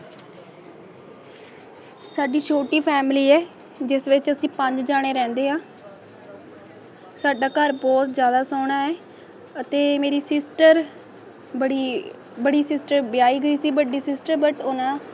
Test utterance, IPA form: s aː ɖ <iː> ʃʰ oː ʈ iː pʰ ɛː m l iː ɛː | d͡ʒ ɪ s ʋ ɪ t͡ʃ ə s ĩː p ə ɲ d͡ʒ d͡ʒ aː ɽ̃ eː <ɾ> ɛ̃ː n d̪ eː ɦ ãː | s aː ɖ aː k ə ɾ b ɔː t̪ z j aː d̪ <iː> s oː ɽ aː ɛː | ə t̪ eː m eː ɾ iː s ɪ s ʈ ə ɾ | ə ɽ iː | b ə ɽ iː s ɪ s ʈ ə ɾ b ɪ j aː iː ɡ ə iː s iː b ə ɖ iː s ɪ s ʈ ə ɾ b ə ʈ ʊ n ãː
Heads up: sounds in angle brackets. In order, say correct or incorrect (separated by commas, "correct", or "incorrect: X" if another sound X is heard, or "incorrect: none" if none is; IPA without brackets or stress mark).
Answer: correct, correct, incorrect: aː